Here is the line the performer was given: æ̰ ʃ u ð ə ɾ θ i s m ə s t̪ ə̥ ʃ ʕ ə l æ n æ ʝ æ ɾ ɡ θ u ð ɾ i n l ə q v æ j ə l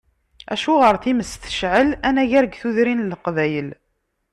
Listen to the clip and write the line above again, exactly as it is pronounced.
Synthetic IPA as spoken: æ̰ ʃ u ʁ ə ɾ θ i m ə s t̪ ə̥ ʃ ʕ ə l æ n æ ʝ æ ɾ ɡ θ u ð ɾ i n l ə q v æ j ə l